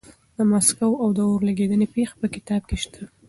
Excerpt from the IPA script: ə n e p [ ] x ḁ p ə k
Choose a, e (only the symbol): e